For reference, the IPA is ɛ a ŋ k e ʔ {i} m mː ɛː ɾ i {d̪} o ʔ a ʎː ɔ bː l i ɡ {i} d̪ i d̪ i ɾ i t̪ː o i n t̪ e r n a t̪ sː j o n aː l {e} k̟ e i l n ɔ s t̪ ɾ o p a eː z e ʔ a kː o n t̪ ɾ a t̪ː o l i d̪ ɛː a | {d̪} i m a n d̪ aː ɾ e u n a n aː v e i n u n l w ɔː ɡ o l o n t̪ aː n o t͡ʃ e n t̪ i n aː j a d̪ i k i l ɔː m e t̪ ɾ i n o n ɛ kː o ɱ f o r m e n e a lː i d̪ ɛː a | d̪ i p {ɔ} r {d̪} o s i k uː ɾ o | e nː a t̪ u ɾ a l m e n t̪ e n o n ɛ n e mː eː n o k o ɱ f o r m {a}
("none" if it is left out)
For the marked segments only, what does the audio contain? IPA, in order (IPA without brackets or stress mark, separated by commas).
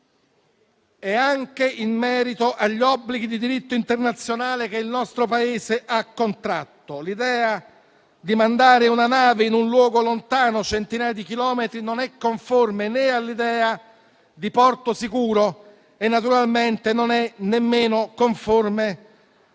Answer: i, t̪, i, e, d̪, ɔ, t̪, e